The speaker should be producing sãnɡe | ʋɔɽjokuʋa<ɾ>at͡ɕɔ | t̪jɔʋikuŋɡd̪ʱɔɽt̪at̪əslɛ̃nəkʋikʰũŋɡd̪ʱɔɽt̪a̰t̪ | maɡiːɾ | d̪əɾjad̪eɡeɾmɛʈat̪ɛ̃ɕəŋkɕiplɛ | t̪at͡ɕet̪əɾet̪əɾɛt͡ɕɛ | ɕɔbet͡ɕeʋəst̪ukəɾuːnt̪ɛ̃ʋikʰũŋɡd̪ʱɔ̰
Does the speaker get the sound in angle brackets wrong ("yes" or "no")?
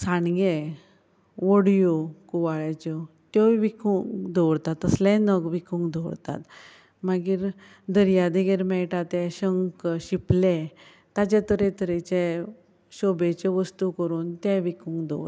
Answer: yes